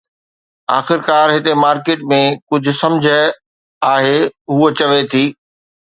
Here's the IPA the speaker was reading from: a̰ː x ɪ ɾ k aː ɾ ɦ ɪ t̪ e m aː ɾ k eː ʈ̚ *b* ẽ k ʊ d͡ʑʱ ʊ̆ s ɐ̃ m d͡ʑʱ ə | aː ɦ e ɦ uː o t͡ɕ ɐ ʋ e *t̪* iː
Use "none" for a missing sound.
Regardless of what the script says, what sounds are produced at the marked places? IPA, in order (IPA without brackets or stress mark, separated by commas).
m, t̪ʰ